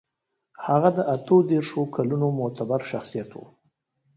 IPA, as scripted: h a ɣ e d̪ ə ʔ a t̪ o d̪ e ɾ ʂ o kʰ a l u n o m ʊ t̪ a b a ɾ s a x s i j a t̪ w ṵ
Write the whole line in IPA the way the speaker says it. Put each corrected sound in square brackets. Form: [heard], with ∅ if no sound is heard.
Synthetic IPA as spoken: h a ɣ [a] d̪ ə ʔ a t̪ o d̪ e ɾ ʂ o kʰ a l u n o m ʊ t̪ a b a ɾ [ʃ] a x s i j a t̪ w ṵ